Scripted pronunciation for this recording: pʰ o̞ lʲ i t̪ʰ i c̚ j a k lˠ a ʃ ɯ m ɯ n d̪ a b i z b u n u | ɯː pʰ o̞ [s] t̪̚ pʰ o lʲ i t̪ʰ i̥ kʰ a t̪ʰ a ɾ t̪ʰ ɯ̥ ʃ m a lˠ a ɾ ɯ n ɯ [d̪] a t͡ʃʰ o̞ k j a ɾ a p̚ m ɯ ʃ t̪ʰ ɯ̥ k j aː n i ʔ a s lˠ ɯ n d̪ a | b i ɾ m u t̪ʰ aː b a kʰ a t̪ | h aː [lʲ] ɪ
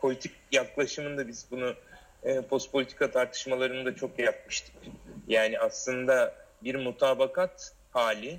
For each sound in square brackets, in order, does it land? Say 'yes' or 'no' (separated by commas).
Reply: yes, yes, yes